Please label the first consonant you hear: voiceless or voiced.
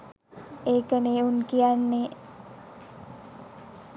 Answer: voiceless